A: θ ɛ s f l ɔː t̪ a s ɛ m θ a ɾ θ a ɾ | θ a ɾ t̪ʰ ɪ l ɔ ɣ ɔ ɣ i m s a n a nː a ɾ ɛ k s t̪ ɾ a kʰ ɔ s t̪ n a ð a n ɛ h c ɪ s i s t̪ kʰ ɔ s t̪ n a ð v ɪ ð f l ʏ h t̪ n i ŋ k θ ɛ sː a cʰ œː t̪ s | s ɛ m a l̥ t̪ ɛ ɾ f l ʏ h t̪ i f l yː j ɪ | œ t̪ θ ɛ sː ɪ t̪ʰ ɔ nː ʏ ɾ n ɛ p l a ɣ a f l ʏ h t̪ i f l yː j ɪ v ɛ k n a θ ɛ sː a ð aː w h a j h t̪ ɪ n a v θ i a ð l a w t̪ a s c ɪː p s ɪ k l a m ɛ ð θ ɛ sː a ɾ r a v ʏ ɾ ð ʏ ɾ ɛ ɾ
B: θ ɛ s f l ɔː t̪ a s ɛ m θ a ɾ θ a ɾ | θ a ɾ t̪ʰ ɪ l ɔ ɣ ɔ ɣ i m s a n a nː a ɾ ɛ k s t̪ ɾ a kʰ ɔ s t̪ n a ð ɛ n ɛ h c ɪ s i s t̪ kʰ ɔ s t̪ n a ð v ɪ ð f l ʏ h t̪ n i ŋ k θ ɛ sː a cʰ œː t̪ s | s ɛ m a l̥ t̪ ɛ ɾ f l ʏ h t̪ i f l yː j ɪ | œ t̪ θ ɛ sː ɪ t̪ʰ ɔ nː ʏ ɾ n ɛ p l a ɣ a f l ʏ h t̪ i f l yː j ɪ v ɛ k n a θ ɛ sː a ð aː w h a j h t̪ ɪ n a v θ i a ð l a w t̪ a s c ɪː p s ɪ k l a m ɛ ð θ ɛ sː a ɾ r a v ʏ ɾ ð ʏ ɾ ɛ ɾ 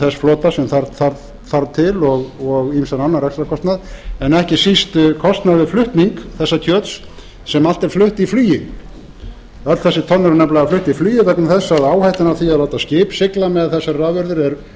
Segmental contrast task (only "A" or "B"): B